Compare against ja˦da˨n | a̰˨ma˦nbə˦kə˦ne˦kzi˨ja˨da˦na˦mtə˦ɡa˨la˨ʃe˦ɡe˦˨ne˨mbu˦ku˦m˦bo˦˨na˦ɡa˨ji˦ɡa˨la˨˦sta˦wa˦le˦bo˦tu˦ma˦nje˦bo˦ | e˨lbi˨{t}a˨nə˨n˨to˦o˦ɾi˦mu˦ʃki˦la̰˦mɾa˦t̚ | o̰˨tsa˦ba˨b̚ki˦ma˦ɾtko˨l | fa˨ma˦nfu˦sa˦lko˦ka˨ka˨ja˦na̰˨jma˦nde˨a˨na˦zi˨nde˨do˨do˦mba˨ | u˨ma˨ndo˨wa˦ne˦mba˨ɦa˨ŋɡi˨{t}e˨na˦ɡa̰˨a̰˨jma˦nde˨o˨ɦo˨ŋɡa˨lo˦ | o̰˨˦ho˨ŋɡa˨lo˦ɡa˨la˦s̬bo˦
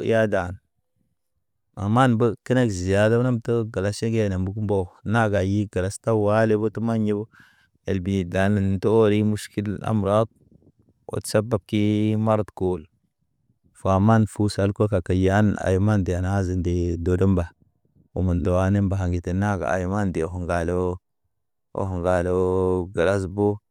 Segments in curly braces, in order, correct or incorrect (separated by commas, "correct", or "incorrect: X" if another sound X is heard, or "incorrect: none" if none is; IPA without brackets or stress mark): incorrect: d, correct